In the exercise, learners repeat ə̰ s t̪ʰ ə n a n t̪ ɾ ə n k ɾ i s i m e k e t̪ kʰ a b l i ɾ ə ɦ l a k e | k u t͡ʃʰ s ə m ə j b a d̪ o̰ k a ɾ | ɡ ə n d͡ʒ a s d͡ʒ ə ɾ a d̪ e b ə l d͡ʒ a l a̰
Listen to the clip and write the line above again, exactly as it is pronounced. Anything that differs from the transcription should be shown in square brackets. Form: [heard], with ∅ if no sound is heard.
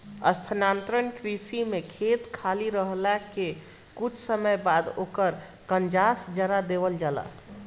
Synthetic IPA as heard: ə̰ s t̪ʰ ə n a n t̪ ɾ ə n k ɾ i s i m e [kʰ] e t̪ kʰ a [∅] l i ɾ ə ɦ l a k e | k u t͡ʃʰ s ə m ə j b a d̪ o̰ k [ə] ɾ | [k] ə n d͡ʒ a s d͡ʒ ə ɾ a d̪ e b ə l d͡ʒ a l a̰

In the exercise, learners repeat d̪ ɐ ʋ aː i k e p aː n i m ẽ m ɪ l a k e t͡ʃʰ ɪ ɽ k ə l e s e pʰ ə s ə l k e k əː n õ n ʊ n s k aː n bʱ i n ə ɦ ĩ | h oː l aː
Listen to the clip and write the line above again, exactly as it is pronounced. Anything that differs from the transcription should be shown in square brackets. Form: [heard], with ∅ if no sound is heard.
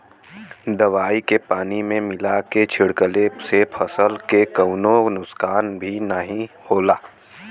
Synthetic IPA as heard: d̪ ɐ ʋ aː i k e p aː n i m ẽ m ɪ l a k e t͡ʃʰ ɪ ɽ k ə l e s e pʰ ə s ə l k e k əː n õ n ʊ [∅] s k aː n bʱ i n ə ɦ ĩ | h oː l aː

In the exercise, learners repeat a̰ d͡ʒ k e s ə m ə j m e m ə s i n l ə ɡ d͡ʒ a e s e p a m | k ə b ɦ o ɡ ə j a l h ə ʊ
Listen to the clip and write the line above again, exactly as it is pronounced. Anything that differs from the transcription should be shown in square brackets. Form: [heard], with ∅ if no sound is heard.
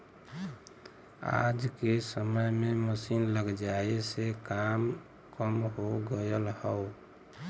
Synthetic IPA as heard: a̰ d͡ʒ k e s ə m ə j m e m ə s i n l ə ɡ d͡ʒ a e s e [k] a m | k ə [m] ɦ o ɡ ə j [ə] l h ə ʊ

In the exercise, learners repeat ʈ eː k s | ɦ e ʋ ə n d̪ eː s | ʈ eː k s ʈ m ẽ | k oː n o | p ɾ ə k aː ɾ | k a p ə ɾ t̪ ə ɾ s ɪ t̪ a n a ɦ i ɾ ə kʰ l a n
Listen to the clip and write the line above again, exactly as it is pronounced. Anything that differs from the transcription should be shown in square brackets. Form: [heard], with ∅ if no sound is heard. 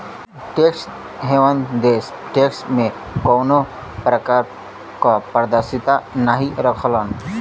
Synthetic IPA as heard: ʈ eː k s | ɦ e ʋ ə n d̪ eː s | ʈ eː k s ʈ m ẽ | k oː n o | p ɾ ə k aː ɾ | k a p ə ɾ [d̪] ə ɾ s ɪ t̪ a n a ɦ i ɾ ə kʰ l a n

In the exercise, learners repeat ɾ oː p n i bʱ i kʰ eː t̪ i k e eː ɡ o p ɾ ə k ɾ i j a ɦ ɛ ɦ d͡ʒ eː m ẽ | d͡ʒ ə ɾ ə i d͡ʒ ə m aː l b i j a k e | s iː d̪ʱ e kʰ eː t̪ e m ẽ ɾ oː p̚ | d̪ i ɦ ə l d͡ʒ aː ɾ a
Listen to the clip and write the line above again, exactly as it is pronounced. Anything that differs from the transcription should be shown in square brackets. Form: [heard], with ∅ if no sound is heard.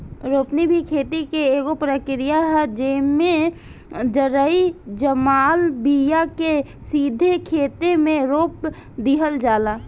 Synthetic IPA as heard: ɾ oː p n i bʱ i kʰ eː t̪ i k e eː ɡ o p ɾ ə k ɾ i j a ɦ ɛ [∅] d͡ʒ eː m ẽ | d͡ʒ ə ɾ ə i d͡ʒ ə m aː l b i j a k e | s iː d̪ʱ e kʰ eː t̪ e m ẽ ɾ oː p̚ | d̪ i ɦ ə l d͡ʒ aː [l] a

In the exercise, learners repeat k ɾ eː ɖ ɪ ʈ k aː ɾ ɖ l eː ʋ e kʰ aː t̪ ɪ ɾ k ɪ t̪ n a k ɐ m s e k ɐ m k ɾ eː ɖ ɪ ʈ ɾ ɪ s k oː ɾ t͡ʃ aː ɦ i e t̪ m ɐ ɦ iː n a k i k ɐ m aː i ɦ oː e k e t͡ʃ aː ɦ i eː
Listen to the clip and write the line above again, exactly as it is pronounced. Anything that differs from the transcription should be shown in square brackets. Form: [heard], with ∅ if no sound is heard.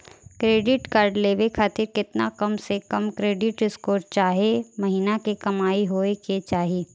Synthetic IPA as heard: k ɾ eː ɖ ɪ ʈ k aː ɾ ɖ l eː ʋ e kʰ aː t̪ ɪ ɾ k ɪ t̪ n a k ɐ m s e k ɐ m k ɾ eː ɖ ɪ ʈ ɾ ɪ s k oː ɾ t͡ʃ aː ɦ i e [∅] m ɐ ɦ iː n a k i k ɐ m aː i ɦ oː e k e t͡ʃ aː ɦ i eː

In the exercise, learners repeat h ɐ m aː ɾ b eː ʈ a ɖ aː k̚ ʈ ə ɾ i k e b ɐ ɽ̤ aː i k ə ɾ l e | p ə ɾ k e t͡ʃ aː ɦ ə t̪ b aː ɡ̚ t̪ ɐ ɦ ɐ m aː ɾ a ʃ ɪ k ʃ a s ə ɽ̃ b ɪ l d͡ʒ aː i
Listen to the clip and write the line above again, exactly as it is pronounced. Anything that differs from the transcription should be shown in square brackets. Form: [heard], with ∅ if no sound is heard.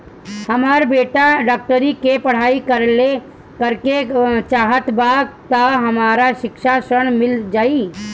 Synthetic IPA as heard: h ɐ m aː ɾ b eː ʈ a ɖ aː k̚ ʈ ə ɾ i k e [p] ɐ ɽ̤ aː i k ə ɾ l e | [k] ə ɾ k e t͡ʃ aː ɦ ə t̪ b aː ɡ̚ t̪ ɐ ɦ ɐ m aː ɾ a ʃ ɪ k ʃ a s ə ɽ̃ [m] ɪ l d͡ʒ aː i

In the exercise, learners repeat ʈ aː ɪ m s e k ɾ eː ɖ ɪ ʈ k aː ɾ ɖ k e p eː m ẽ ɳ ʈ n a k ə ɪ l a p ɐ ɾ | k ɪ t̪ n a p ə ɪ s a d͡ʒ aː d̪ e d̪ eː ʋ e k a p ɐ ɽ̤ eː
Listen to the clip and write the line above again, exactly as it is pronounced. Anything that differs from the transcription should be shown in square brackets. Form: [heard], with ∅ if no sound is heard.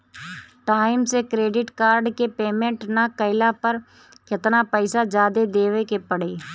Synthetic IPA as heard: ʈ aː ɪ m s e k ɾ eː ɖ ɪ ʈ k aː ɾ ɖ k e p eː m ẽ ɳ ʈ n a k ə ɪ l a p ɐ ɾ | k ɪ t̪ n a p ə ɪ s a d͡ʒ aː d̪ e d̪ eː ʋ e k [e] p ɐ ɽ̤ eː

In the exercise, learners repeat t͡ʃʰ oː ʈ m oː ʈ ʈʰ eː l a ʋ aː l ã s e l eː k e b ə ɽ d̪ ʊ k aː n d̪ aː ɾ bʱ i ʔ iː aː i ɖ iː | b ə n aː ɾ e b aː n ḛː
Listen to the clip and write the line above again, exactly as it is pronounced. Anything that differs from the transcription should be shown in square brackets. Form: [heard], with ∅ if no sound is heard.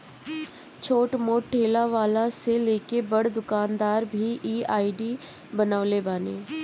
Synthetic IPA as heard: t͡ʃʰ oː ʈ m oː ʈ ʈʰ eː l a ʋ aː l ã s e l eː k e b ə ɽ d̪ ʊ k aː n d̪ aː ɾ bʱ i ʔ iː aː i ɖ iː | b ə n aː [l] e b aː n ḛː

